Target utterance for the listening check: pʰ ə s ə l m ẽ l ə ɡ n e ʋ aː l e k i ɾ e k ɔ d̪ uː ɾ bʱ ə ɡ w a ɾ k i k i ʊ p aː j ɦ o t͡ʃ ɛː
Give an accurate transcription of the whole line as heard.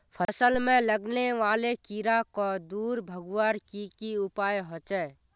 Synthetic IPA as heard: pʰ ə s ə l m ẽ l ə ɡ n e ʋ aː l e k i ɾ a k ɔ d̪ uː ɾ bʱ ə ɡ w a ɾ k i k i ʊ p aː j ɦ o t͡ʃ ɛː